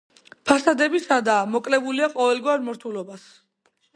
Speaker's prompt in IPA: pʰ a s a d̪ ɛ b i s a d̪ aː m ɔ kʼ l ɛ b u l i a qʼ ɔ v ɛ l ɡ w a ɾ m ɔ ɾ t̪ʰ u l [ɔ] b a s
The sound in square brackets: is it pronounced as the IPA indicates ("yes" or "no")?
yes